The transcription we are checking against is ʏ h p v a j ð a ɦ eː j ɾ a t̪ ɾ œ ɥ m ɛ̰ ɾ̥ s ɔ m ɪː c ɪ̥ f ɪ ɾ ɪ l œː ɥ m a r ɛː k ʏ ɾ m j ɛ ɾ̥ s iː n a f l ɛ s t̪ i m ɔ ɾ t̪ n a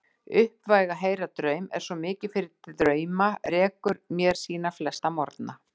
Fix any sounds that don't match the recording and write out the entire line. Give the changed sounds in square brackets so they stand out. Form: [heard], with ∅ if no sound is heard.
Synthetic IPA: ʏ h p v a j [ɣ] a ɦ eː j ɾ a t̪ ɾ œ ɥ m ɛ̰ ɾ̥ s ɔ m ɪː c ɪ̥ f ɪ ɾ ɪ [ɾ] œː ɥ m a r ɛː k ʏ ɾ m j ɛ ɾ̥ s iː n a f l ɛ s t̪ [a] m ɔ ɾ t̪ n a